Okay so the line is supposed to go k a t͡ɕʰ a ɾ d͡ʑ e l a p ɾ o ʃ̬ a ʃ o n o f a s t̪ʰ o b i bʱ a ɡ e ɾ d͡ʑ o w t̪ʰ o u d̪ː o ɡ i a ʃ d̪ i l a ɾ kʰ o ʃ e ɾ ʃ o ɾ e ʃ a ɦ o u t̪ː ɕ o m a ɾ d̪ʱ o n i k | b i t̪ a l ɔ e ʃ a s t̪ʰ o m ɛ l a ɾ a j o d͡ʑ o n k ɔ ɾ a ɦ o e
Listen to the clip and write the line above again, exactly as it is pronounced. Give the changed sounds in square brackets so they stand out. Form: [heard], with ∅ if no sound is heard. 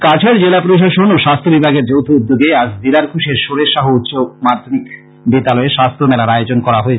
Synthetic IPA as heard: k a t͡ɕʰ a ɾ d͡ʑ e l a p ɾ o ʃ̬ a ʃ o n o [ʃ] a s t̪ʰ o b i bʱ a ɡ e ɾ d͡ʑ o w t̪ʰ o u d̪ː o ɡ [e] a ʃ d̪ i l a ɾ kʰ [u] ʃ e ɾ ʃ o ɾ e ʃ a ɦ o u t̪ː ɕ o m a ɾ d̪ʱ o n i k | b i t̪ a l ɔ e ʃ a s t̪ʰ o m ɛ l a ɾ a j o d͡ʑ o n k ɔ ɾ a ɦ o e

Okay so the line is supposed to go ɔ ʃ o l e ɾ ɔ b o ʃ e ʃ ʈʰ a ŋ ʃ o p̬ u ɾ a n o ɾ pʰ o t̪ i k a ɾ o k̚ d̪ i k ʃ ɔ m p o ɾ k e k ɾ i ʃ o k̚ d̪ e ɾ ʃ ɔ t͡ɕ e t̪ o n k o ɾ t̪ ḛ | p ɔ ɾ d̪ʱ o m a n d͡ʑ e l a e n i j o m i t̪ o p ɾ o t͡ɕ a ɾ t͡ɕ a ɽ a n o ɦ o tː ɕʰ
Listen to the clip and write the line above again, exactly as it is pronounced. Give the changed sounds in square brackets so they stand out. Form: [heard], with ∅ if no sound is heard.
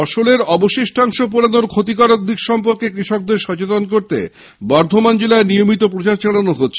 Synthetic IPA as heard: ɔ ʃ o l e ɾ ɔ b o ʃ e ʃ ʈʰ a ŋ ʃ o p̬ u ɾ a n o ɾ [kʰ] o t̪ i k a ɾ o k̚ d̪ i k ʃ ɔ m p o ɾ k e k ɾ i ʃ o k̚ d̪ e ɾ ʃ ɔ t͡ɕ e t̪ o n k o ɾ t̪ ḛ | [b] ɔ ɾ d̪ʱ o m a n d͡ʑ e l a e n i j o m i t̪ o p ɾ o t͡ɕ a ɾ t͡ɕ a ɽ a n o ɦ o tː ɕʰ

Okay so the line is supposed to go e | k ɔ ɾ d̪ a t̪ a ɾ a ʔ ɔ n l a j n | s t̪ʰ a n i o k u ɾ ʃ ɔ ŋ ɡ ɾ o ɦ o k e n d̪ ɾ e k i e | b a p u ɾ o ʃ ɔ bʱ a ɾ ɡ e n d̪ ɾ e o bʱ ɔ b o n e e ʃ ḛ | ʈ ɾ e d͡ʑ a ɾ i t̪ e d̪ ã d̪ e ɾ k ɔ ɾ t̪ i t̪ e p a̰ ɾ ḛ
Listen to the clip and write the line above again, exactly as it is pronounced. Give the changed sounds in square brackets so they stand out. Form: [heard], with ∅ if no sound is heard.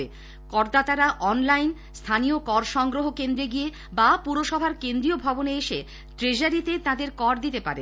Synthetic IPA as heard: e | k ɔ ɾ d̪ a t̪ a ɾ a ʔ ɔ n l a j n | s t̪ʰ a n i o k [ɔ] ɾ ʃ ɔ ŋ ɡ ɾ o ɦ o k e n d̪ ɾ e [ɡ] i e | b a p u ɾ o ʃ ɔ bʱ a ɾ [k] e n d̪ ɾ [i] o bʱ ɔ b o n e e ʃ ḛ | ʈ ɾ e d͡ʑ a ɾ i t̪ e [t̪] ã d̪ e ɾ k ɔ ɾ [d̪] i t̪ e p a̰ ɾ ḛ

